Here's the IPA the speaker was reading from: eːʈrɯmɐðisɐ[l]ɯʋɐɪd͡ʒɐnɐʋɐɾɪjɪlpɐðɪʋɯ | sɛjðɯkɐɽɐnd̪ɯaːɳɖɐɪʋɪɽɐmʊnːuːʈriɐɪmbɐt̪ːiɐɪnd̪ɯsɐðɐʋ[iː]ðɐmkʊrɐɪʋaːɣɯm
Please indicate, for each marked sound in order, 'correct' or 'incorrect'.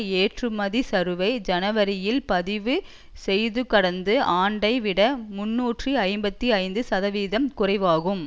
incorrect: ɾ, correct

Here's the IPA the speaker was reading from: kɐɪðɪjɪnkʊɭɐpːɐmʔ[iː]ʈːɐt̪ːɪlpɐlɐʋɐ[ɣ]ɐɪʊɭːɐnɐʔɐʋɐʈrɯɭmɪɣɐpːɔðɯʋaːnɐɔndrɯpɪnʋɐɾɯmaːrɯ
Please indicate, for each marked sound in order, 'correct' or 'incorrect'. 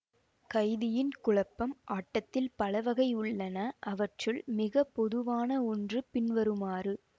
incorrect: aː, correct

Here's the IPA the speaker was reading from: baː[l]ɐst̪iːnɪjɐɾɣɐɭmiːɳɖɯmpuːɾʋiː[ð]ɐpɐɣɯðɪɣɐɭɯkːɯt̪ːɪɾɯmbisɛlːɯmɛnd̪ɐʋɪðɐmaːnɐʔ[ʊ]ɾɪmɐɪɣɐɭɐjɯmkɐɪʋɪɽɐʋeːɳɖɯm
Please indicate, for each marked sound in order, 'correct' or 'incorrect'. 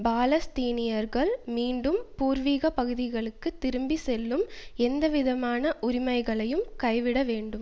correct, incorrect: ɣ, correct

